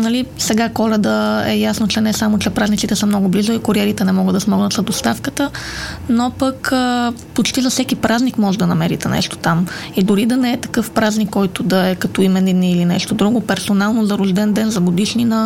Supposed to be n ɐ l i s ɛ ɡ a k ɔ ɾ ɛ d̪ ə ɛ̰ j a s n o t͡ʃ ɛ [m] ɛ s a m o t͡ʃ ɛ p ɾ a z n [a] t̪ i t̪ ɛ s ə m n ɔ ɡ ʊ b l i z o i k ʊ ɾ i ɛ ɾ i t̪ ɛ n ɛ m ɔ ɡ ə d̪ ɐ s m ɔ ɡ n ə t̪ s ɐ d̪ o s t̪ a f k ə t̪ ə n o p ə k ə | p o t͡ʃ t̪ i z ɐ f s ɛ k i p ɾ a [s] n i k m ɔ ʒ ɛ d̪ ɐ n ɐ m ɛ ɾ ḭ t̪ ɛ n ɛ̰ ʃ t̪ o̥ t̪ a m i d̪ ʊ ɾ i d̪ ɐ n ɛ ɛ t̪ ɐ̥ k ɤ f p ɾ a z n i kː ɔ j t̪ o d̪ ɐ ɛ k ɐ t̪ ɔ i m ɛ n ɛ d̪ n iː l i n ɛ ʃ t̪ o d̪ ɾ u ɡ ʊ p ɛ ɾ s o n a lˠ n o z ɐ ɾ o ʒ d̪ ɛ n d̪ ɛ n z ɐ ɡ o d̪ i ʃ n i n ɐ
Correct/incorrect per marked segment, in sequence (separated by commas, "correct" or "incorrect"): incorrect, incorrect, incorrect